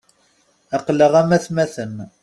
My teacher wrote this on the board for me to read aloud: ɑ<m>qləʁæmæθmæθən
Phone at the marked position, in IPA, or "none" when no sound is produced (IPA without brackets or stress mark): none